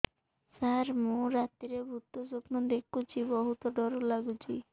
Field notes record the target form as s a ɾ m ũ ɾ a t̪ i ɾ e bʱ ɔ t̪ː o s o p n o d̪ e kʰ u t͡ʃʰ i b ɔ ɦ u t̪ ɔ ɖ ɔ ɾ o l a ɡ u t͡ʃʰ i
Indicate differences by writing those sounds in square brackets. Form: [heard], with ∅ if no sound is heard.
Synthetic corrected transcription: s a ɾ m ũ ɾ a t̪ i ɾ e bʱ [u] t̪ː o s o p n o d̪ e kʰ u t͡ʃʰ i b ɔ ɦ u t̪ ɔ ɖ ɔ ɾ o l a ɡ u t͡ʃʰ i